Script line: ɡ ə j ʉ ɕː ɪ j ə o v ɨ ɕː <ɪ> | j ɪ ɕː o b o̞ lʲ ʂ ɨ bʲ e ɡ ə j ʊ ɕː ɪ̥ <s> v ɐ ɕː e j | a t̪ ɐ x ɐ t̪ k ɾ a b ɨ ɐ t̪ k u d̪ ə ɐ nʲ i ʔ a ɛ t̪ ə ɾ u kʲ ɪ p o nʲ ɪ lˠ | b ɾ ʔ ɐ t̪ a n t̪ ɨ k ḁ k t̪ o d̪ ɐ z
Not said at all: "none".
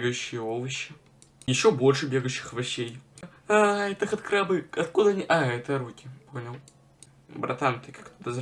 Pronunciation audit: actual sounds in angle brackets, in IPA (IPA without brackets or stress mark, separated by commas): ɪ, x